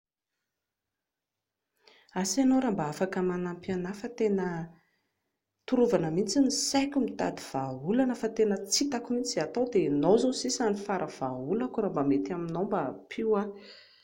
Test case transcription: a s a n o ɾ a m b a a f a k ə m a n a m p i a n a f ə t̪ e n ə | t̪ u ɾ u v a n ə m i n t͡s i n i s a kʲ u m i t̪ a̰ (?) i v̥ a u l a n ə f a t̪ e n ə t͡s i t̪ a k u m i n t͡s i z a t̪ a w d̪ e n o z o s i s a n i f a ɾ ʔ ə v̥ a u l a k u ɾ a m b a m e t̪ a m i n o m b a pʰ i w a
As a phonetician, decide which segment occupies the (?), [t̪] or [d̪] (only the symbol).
d̪